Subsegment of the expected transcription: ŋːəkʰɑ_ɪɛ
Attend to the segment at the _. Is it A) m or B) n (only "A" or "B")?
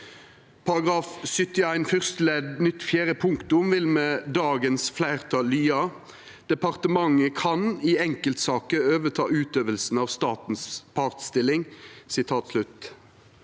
B